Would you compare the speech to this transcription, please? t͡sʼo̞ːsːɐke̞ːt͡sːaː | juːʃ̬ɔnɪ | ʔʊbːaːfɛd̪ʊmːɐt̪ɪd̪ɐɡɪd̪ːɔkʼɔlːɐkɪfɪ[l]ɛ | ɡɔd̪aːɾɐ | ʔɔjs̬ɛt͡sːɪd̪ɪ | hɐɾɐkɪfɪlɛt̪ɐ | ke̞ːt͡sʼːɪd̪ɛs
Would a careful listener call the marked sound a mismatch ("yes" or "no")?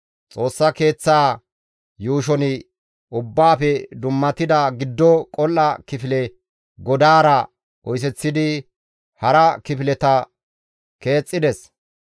no